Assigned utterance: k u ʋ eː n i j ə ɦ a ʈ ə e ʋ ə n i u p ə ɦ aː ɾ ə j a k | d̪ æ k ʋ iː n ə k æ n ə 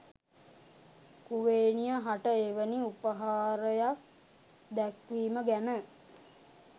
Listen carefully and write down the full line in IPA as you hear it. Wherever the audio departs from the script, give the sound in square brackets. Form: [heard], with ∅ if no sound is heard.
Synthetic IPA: k u ʋ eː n i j ə ɦ a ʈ ə e ʋ ə n i u p ə ɦ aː ɾ ə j a k | d̪ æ k ʋ iː [m] ə [ɡ] æ n ə